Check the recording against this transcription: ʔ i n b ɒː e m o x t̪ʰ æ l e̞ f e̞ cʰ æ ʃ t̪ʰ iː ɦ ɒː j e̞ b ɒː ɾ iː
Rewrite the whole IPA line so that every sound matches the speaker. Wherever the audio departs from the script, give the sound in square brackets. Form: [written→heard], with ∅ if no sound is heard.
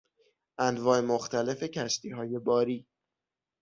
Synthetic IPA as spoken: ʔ [i→æ] n [b→v] ɒː e m o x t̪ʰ æ l e̞ f e̞ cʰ æ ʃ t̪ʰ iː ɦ ɒː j e̞ b ɒː ɾ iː